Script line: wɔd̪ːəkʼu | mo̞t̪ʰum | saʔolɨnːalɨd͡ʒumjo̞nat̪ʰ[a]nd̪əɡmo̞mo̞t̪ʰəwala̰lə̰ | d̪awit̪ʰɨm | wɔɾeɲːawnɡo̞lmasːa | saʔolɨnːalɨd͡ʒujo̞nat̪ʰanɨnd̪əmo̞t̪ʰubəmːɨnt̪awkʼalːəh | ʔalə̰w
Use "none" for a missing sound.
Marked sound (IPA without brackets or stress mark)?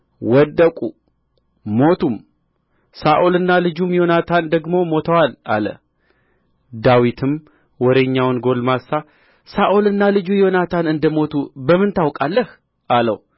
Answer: a